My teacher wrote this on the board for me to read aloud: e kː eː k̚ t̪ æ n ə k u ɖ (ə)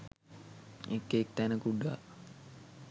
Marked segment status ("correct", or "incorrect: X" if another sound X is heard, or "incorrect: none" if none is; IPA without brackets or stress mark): incorrect: a